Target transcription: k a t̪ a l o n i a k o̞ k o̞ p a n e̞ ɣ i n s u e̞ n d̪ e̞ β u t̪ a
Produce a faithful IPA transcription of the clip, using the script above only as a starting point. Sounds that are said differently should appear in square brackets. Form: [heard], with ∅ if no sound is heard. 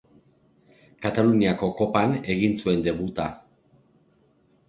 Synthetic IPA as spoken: k a t̪ a l [u] n i a k o̞ k o̞ p a n e̞ ɣ i n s u e̞ n d̪ e̞ β u t̪ a